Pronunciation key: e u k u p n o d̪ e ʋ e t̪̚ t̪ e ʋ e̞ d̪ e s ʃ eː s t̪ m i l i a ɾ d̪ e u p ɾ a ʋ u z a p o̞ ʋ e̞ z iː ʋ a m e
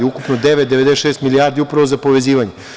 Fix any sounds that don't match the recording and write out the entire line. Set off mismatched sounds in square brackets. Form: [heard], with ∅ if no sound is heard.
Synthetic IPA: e u k u p n o d̪ e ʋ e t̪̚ [d̪] e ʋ e̞ d̪ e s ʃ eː s t̪ m i l i a ɾ d̪ [i] u p ɾ a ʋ [o] z a p o̞ ʋ e̞ z iː ʋ a [ɲ] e